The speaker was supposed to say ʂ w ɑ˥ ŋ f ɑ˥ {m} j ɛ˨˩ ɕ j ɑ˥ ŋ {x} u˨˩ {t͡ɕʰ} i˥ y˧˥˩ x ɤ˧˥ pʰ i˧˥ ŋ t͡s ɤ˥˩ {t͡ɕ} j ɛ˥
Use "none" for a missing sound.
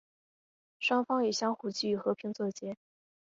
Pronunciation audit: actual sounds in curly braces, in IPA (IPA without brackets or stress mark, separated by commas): ŋ, x, t͡ɕ, t͡ɕ